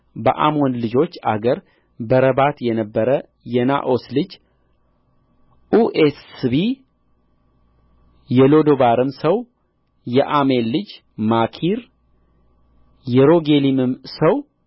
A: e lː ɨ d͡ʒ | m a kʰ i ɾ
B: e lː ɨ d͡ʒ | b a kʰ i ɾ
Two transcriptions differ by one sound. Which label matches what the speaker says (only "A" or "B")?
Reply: A